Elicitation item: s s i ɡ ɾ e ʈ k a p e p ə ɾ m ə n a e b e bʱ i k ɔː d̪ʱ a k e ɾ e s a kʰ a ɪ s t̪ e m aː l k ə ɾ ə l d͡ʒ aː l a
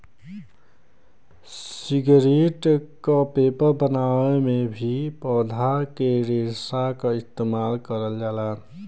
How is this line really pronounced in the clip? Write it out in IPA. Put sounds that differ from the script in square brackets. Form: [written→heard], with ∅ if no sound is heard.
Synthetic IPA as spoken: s s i ɡ ɾ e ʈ k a p e p ə ɾ [m→b] ə n a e [b→m] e bʱ i [k→p] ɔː d̪ʱ a k e ɾ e s a [kʰ→k] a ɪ s t̪ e m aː l k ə ɾ ə l d͡ʒ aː l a